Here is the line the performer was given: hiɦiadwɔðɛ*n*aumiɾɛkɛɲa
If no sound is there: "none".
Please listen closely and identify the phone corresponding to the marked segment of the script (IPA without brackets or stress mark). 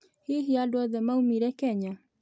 m